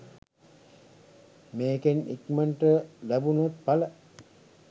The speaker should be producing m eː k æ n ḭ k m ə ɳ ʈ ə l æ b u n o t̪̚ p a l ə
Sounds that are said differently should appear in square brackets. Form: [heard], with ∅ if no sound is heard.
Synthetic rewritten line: m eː k [e] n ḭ k m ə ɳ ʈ ə l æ b u n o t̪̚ p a l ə